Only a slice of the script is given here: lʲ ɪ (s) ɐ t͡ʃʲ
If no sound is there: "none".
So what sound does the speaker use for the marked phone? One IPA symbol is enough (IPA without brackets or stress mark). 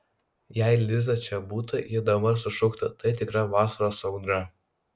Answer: z